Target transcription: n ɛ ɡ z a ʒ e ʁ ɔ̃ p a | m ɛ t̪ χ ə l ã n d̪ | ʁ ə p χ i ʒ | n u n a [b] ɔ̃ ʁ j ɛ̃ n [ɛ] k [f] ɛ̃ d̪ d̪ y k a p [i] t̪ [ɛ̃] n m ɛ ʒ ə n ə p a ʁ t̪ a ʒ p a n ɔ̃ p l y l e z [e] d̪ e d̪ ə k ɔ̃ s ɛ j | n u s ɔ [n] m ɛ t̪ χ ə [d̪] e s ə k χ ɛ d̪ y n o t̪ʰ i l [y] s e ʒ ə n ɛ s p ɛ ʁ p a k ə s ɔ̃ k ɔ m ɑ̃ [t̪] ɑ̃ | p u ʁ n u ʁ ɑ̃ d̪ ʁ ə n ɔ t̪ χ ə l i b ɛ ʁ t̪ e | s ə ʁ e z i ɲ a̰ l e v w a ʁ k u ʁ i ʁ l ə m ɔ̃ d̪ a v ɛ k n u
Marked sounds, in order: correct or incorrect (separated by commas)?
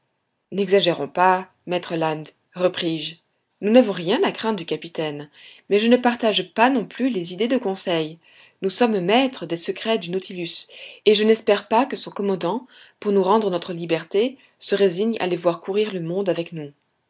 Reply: incorrect, incorrect, incorrect, correct, incorrect, incorrect, incorrect, correct, correct, incorrect